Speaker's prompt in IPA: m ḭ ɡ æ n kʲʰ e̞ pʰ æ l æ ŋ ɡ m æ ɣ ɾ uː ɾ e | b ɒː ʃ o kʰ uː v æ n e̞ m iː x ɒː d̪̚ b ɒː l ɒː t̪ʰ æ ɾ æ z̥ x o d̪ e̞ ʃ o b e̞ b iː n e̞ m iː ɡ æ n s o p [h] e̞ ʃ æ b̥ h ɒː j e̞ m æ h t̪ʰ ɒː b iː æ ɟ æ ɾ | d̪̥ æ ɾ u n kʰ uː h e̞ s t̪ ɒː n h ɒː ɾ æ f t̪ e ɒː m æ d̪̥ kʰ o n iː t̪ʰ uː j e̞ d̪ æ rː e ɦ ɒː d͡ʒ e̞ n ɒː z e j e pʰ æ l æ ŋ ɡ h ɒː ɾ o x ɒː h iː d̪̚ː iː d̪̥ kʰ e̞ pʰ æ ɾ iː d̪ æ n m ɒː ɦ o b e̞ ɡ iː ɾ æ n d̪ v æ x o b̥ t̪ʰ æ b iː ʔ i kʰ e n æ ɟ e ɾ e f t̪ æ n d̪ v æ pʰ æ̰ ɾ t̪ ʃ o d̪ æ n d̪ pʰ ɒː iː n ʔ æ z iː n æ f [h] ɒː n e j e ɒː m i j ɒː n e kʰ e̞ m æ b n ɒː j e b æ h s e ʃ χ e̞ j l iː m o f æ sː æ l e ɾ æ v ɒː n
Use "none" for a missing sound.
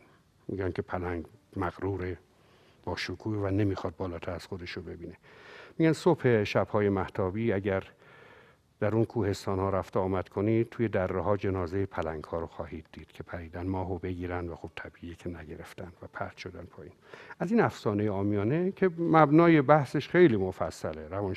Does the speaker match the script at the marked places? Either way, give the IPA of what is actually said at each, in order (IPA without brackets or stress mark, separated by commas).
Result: h, s